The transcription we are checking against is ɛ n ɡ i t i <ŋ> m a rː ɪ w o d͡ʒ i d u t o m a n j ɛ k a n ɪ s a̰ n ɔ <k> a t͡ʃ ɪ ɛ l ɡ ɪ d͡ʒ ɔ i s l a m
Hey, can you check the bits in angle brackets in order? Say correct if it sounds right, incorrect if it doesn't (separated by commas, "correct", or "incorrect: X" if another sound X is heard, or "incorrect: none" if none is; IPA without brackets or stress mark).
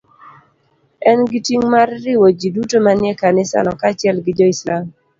correct, correct